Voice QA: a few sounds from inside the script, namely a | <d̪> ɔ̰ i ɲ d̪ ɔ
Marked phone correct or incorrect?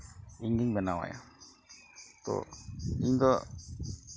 incorrect